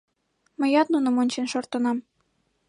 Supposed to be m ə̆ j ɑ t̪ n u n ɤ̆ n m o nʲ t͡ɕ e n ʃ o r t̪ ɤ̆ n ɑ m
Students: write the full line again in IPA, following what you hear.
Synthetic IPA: m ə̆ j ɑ t̪ n u n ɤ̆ m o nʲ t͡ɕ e n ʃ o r t̪ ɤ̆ n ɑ m